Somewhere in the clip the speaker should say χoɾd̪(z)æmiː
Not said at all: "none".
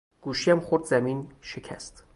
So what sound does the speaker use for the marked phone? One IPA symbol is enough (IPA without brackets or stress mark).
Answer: z